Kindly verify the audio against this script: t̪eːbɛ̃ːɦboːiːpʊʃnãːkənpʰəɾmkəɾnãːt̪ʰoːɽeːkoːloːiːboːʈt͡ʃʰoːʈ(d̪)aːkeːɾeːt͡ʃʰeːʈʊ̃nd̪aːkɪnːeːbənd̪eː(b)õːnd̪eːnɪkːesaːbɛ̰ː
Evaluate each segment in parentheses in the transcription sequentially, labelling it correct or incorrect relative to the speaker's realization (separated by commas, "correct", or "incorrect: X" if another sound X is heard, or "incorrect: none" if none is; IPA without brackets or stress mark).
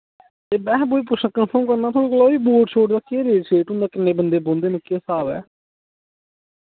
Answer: correct, correct